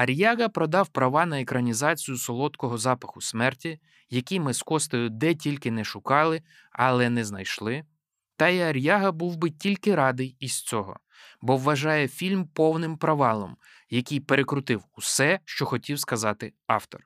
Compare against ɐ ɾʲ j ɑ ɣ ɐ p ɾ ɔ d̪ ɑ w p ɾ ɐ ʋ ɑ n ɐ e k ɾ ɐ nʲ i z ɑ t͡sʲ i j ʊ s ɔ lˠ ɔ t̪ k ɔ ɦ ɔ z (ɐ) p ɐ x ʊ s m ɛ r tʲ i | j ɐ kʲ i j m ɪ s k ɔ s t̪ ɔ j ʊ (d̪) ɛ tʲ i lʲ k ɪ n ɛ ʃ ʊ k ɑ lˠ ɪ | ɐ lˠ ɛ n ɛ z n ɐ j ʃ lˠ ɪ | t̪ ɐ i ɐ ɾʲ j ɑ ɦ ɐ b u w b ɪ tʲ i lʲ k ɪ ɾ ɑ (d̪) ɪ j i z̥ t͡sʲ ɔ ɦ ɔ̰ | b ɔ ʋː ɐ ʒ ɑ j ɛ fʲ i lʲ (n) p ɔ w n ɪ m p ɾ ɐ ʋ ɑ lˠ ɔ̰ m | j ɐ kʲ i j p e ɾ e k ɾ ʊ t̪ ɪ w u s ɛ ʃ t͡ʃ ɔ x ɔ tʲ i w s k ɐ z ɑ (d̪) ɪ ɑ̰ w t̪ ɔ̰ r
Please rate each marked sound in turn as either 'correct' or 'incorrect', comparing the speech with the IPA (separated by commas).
incorrect, correct, correct, incorrect, incorrect